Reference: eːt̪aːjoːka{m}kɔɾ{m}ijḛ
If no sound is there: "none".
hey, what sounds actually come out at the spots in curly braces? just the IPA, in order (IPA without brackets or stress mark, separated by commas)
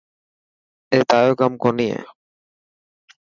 m, n